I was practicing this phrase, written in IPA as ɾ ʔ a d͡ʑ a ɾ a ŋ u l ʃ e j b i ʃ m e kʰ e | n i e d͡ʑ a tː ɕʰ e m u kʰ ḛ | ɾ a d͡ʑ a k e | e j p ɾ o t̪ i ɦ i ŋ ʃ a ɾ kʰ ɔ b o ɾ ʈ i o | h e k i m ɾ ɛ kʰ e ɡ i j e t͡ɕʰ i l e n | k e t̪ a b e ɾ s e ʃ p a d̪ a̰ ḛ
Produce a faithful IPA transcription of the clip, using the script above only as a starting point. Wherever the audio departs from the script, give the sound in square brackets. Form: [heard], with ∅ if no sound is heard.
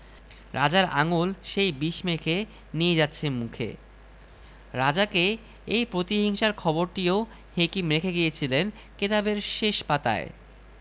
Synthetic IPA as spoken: ɾ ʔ a d͡ʑ a ɾ a ŋ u l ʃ e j b i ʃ m e kʰ e | n i e d͡ʑ a tː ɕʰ e m u kʰ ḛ | ɾ a d͡ʑ a k e | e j p ɾ o t̪ i ɦ i ŋ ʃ a ɾ kʰ ɔ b o ɾ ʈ i o | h e k i m ɾ [e] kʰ e ɡ i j e t͡ɕʰ i l e n | k e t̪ a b e ɾ [ʃ] e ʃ p a [t̪] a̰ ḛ